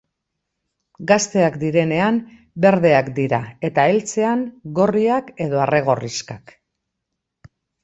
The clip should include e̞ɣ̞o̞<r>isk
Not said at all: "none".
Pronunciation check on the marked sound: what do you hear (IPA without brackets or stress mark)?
r